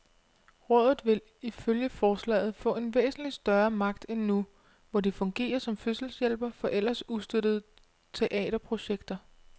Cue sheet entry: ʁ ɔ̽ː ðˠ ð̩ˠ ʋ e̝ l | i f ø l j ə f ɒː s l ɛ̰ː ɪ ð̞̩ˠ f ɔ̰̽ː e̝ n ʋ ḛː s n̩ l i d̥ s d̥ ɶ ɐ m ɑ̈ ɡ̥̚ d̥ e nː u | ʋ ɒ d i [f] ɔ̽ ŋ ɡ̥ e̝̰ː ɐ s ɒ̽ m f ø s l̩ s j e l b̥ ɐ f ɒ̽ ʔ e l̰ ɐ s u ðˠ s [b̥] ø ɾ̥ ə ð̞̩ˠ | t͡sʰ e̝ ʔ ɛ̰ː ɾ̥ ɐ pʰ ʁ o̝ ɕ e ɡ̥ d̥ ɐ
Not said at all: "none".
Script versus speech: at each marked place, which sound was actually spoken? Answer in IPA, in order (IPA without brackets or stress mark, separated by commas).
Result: f, d̥